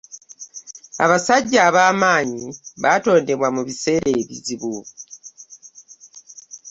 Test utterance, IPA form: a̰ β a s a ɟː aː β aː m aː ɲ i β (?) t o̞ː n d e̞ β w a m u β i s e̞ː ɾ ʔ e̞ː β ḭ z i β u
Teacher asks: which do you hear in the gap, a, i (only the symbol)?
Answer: a